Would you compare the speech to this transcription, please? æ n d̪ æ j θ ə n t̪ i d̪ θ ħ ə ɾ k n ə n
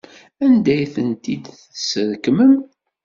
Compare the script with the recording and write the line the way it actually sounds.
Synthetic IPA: æ n d̪ æ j θ ə n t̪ i d̪ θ s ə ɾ k m ə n